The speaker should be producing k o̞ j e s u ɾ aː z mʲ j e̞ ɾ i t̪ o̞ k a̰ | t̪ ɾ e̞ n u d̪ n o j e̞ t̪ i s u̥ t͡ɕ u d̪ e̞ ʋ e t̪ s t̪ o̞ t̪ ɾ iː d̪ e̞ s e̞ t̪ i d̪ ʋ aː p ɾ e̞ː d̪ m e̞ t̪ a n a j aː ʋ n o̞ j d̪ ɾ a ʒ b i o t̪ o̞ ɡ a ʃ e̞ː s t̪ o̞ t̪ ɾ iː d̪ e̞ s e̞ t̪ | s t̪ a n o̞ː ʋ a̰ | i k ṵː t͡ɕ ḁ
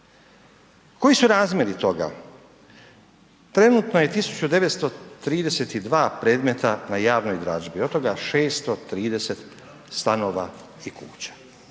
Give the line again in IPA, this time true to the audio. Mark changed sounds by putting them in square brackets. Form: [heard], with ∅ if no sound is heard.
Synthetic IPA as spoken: k o̞ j [i] s u ɾ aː z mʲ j e̞ ɾ i t̪ o̞ [ɡ] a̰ | t̪ ɾ e̞ n u [t̪] n o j e̞ t̪ i s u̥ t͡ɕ u d̪ e̞ ʋ e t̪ s t̪ o̞ t̪ ɾ iː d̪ e̞ s e̞ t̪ i d̪ ʋ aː p ɾ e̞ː d̪ m e̞ t̪ a n a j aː ʋ n o̞ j d̪ ɾ a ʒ b i o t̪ o̞ ɡ a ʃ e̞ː s t̪ o̞ t̪ ɾ iː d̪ e̞ s e̞ t̪ | s t̪ a n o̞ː ʋ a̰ | i k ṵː t͡ɕ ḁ